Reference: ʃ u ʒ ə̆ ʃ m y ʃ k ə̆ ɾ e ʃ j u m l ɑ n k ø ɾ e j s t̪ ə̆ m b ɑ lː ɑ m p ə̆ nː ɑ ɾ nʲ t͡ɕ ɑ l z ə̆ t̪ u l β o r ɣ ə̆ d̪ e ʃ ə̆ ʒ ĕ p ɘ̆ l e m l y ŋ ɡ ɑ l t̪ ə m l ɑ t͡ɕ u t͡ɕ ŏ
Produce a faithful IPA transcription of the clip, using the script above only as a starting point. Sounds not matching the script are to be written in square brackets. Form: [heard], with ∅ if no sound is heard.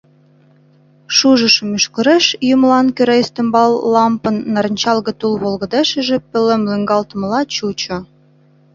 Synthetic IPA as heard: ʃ u ʒ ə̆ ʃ m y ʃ k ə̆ ɾ e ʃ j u m l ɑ n k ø ɾ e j s t̪ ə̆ m b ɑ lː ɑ m p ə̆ nː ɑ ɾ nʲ t͡ɕ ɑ l [ɣ] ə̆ t̪ u l β o [l] ɣ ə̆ d̪ e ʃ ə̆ ʒ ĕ p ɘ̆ l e m l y ŋ ɡ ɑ l t̪ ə m l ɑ t͡ɕ u t͡ɕ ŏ